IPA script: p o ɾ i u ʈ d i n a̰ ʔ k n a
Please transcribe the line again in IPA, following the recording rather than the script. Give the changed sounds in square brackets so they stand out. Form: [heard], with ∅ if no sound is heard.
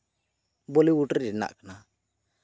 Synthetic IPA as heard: [b] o [l] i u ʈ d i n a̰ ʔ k n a